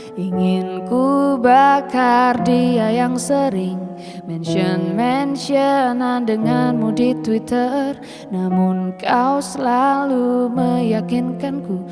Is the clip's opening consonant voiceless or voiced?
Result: voiced